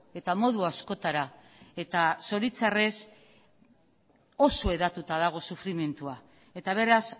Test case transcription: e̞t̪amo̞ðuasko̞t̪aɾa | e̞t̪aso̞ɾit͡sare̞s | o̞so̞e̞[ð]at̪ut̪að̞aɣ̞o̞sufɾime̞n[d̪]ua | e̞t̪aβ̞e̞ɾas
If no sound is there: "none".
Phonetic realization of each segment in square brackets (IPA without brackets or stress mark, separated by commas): ð, t̪